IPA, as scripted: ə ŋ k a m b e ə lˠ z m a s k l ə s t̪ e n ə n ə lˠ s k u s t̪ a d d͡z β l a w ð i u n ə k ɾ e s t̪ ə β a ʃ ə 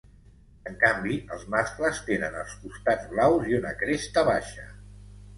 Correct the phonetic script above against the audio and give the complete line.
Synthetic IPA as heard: ə ŋ k a m b i ə lˠ z m a s k l ə s t̪ e n ə n ə lˠ s k u s t̪ a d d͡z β l a w z i u n ə k ɾ e s t̪ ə β a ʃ ə